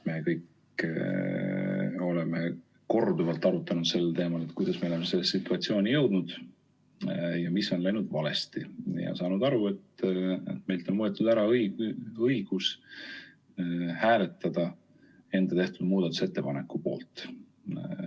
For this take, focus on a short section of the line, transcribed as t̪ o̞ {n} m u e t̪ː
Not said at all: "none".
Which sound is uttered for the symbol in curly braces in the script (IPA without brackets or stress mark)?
n